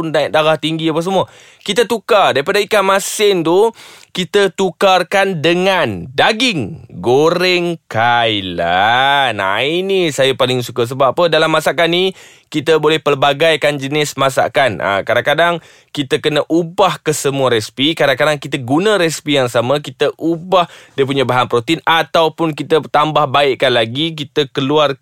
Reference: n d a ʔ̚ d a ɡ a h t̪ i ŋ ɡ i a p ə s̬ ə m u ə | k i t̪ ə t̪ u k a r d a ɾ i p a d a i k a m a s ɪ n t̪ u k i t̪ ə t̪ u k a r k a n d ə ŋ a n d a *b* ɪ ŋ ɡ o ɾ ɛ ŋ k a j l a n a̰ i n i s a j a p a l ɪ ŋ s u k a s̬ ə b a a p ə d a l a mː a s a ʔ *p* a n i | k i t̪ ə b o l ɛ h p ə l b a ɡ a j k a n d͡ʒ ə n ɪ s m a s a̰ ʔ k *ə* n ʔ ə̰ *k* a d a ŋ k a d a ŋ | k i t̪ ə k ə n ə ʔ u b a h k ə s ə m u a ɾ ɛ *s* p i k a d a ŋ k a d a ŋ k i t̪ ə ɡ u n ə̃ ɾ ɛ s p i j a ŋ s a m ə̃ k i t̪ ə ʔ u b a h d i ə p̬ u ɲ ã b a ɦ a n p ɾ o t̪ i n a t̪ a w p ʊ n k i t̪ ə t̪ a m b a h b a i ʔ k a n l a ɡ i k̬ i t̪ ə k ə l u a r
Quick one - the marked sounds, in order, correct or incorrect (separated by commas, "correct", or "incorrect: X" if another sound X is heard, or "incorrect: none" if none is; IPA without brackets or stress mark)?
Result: incorrect: ɡ, incorrect: k, incorrect: a, correct, correct